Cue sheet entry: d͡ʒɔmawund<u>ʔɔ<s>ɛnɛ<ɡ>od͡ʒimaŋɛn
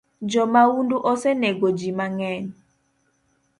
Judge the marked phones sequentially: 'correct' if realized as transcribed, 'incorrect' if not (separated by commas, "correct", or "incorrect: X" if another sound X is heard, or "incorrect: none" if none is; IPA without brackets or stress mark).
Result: correct, correct, correct